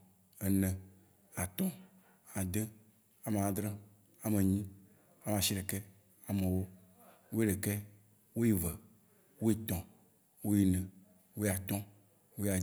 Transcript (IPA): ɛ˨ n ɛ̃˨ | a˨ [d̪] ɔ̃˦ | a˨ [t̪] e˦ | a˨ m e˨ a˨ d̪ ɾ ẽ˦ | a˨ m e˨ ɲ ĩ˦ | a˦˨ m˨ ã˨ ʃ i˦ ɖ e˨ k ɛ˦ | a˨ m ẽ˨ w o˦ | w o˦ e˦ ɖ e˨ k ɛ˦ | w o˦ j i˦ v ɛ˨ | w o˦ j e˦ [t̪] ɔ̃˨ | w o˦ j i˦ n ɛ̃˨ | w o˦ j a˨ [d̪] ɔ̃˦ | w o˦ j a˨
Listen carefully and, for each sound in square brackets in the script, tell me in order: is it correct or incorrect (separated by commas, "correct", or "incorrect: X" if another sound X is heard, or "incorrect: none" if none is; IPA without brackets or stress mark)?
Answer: incorrect: t̪, incorrect: d̪, correct, incorrect: t̪